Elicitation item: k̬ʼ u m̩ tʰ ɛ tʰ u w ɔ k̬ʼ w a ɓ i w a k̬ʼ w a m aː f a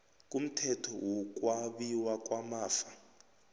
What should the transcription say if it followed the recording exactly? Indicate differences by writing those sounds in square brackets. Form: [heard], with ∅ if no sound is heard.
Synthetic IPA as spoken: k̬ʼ u m̩ tʰ ɛ tʰ [ɔ] w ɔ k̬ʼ w a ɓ i w a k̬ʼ w a m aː f a